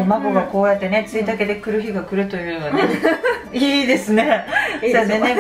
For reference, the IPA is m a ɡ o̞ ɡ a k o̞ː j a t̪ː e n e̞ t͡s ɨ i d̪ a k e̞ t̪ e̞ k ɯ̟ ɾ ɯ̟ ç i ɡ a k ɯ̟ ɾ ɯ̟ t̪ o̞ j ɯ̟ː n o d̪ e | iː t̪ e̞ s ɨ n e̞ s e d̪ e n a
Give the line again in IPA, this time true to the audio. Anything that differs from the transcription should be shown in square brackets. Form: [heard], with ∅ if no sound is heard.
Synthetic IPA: m a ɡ o̞ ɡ a k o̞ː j a t̪ː e n e̞ t͡s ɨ i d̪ a k e̞ [d̪] e̞ k ɯ̟ ɾ ɯ̟ ç i ɡ a k ɯ̟ ɾ ɯ̟ t̪ o̞ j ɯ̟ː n o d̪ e | iː [d̪] e̞ s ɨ n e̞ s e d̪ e n [e]

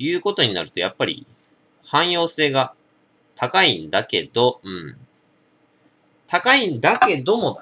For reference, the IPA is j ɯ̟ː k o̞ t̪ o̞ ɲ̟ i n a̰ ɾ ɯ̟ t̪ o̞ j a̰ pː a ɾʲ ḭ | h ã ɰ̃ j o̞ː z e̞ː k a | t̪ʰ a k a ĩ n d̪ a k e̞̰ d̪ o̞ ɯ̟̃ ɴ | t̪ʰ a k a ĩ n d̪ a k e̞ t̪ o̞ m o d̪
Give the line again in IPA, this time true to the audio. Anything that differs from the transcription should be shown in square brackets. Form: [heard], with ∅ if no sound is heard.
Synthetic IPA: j ɯ̟ː k o̞ t̪ o̞ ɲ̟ i n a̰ ɾ ɯ̟ t̪ o̞ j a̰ pː a ɾʲ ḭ | h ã ɰ̃ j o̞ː [s] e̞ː [ɡ] a | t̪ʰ a k a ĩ n d̪ a k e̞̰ d̪ o̞ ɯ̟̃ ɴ | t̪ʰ a k a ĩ n d̪ a k e̞ [d̪] o̞ m o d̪

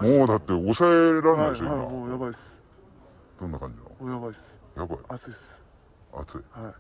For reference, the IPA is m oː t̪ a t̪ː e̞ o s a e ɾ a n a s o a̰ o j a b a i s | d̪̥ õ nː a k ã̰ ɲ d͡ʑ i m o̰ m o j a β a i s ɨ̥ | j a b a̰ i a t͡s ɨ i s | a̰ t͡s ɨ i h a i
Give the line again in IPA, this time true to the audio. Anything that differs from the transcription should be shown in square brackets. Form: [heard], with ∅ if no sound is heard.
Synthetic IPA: m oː [d̪] a t̪ː e̞ o s a e ɾ a n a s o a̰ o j a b a i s | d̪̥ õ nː a k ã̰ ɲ d͡ʑ i [n] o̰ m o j a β a i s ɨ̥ | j a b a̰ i a t͡s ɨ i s | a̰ t͡s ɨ i h a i

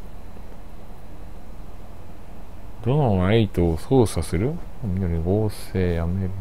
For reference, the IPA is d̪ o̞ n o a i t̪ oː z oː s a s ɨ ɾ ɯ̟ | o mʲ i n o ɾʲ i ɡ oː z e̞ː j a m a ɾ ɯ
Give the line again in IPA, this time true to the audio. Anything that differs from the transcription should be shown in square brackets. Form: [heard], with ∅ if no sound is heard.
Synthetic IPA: d̪ o̞ n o a i t̪ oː [s] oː s a s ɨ ɾ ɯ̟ | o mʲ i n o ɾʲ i ɡ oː [s] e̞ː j a m [e] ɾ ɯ

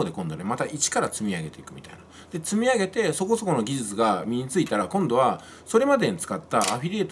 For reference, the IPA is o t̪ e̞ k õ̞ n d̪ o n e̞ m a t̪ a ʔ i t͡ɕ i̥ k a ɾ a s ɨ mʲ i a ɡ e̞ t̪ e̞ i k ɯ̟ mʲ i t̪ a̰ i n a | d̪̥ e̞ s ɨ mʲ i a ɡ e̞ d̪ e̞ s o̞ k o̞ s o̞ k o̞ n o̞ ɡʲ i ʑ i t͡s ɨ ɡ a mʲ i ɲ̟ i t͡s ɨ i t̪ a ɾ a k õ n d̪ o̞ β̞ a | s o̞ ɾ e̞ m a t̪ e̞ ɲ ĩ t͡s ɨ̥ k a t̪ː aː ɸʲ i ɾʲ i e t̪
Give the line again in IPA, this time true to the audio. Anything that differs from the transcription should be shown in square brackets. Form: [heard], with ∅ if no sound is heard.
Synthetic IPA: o [d̪] e̞ k õ̞ n d̪ o n e̞ m a t̪ a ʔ i t͡ɕ i̥ k a ɾ a [t͡s] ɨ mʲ i a ɡ e̞ t̪ e̞ i k ɯ̟ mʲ i t̪ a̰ i n a | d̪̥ e̞ [t͡s] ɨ mʲ i a ɡ e̞ [t̪] e̞ s o̞ k o̞ s o̞ k o̞ n o̞ ɡʲ i ʑ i t͡s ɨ ɡ a mʲ i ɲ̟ i t͡s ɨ i t̪ a ɾ a k õ n d̪ o̞ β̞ a | s o̞ ɾ e̞ m a [d̪] e̞ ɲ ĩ t͡s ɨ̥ k a t̪ː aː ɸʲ i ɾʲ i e t̪

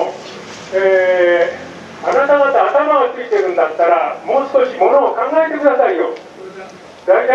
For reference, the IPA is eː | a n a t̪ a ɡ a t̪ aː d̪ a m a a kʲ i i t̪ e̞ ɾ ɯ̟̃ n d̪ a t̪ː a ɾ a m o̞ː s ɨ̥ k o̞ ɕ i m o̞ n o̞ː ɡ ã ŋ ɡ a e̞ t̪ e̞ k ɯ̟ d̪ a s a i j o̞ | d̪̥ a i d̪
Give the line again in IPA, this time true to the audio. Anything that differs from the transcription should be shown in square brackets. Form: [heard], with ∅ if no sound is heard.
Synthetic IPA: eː | a n a t̪ a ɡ a t̪ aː [t̪] a m a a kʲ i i t̪ e̞ ɾ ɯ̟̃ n d̪ a t̪ː a ɾ a m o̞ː s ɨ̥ k o̞ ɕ i m o̞ n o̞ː [k] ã ŋ ɡ a e̞ t̪ e̞ k ɯ̟ d̪ a s a i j o̞ | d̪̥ a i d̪

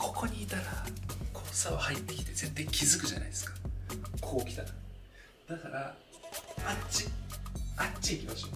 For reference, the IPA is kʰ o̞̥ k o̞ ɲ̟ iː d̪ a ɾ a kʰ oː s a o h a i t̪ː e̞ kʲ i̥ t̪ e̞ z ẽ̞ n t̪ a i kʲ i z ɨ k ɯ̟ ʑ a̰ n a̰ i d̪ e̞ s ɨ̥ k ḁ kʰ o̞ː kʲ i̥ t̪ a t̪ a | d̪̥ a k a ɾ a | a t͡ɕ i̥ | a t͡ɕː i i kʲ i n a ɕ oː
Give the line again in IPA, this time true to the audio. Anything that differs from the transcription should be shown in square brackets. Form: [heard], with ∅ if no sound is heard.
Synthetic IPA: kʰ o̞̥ k o̞ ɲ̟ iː [t̪] a ɾ a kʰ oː s a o h a i t̪ː e̞ kʲ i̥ t̪ e̞ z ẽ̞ n t̪ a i kʲ i z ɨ k ɯ̟ ʑ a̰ n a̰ i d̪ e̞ s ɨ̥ k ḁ kʰ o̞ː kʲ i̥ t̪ a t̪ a | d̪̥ a k a ɾ a | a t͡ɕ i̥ | a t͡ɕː i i kʲ i [m] a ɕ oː

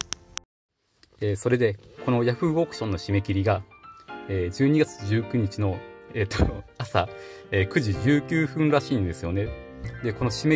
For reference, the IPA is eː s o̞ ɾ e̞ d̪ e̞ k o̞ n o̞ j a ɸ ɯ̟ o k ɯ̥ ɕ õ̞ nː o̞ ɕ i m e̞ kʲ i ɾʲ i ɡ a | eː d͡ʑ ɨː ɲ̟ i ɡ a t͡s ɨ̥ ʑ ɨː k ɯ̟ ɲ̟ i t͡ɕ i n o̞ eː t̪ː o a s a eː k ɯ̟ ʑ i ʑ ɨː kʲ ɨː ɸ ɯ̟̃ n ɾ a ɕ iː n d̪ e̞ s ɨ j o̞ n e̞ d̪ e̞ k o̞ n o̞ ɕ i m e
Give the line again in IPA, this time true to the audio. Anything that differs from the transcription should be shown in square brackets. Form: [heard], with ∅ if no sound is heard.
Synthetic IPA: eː s o̞ ɾ e̞ d̪ e̞ k o̞ n o̞ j a ɸ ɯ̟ o k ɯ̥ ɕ õ̞ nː o̞ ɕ i m e̞ kʲ i ɾʲ i ɡ a | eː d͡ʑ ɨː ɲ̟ i ɡ a t͡s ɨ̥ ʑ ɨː k ɯ̟ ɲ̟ i t͡ɕ i n o̞ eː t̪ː o a s a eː k ɯ̟ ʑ i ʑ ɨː kʲ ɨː ɸ ɯ̟̃ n ɾ a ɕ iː n d̪ e̞ s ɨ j o̞ n e̞ d̪ e̞ k o̞ n o̞ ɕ i m e

